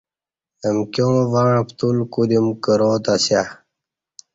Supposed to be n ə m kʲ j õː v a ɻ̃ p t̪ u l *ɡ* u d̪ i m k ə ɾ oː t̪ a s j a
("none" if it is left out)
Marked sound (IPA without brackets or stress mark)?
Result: k